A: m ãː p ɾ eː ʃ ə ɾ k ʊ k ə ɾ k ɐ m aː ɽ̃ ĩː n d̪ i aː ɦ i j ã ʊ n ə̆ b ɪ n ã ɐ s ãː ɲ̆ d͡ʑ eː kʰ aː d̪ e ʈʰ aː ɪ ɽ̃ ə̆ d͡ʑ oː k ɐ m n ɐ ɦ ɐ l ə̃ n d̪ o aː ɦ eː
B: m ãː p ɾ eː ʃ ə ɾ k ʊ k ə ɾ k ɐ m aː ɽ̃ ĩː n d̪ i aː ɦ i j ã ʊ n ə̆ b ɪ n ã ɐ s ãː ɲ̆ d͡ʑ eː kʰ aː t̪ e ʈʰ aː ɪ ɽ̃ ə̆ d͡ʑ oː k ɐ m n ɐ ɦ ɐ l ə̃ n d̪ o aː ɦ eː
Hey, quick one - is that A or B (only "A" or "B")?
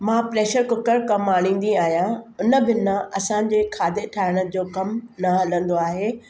A